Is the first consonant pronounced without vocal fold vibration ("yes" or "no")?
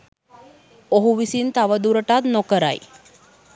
no